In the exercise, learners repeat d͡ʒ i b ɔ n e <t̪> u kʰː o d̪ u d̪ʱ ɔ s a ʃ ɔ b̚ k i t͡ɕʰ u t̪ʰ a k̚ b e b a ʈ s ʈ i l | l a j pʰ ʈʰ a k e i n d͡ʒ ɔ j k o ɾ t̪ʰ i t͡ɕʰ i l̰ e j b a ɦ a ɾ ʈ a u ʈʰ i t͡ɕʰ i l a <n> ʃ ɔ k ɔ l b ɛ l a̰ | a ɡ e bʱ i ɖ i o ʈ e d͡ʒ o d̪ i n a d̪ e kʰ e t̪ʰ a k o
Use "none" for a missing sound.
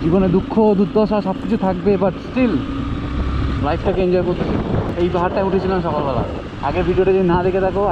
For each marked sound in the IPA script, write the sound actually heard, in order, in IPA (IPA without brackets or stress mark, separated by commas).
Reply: d̪, n